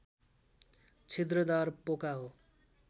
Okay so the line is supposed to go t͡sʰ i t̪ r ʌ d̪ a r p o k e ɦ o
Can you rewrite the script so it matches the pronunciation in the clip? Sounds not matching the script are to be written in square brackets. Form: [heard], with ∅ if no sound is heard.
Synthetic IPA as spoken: t͡sʰ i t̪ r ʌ d̪ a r p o k [a] ɦ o